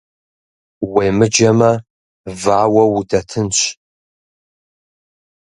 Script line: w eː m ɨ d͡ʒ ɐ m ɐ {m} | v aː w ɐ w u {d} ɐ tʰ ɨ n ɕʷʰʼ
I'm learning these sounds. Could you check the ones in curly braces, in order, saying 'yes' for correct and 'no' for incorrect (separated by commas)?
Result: no, yes